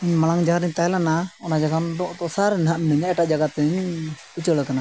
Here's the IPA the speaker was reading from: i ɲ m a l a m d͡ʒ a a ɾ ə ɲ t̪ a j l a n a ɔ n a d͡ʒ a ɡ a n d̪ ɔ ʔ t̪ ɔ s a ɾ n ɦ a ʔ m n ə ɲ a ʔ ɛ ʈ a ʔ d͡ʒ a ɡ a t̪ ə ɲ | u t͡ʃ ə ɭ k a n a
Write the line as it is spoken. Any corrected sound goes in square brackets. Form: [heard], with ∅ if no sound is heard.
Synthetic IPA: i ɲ m a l a [ŋ] d͡ʒ a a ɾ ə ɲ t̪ a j l a n a ɔ n a d͡ʒ a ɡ a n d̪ ɔ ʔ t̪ ɔ s a ɾ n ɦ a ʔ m n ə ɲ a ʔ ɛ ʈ a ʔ d͡ʒ a ɡ a t̪ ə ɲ | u t͡ʃ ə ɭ k a n a